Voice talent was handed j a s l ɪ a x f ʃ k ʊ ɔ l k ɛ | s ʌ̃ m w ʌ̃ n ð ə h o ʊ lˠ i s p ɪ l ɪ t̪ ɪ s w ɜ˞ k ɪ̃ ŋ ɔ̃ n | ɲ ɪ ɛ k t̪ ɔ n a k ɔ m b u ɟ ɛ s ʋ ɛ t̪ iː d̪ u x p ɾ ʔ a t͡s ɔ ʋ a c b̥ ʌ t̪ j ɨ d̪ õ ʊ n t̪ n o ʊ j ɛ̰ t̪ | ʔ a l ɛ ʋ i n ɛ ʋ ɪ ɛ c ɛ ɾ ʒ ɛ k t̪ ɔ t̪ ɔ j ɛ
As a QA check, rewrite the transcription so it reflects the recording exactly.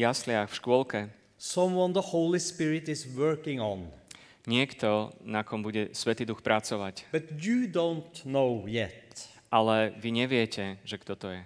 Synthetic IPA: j a s l ɪ a x f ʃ k ʊ ɔ l k ɛ | s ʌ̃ m w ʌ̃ n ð ə h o ʊ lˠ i s p ɪ ɹ ɪ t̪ ɪ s w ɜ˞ k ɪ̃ ŋ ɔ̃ n | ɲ ɪ ɛ k t̪ ɔ n a k ɔ m b u ɟ ɛ s ʋ ɛ t̪ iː d̪ u x p ɾ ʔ a t͡s ɔ ʋ a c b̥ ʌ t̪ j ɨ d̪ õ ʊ n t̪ n o ʊ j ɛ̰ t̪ | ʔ a l ɛ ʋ i ɲ ɛ ʋ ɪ ɛ c ɛ ʒ ɛ k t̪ ɔ t̪ ɔ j ɛ